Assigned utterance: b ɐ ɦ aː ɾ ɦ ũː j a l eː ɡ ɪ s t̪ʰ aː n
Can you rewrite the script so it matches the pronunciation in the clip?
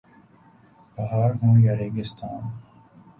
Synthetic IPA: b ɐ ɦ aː ɾ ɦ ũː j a ɾ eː ɡ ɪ s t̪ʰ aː n